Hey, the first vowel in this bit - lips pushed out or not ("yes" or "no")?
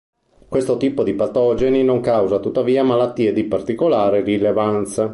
no